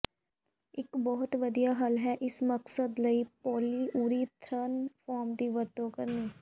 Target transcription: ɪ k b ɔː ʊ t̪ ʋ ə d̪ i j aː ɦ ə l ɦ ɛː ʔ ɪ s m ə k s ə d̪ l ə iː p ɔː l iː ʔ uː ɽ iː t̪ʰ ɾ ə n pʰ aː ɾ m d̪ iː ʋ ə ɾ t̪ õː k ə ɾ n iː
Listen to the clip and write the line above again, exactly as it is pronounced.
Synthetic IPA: ɪ k b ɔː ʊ t̪ ʋ ə d̪ i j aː ɦ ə l ɦ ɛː ʔ ɪ s m ə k s ə d̪ l ə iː p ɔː l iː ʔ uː ɾ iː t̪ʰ ɾ ə n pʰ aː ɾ m d̪ iː ʋ ə ɾ t̪ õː k ə ɾ n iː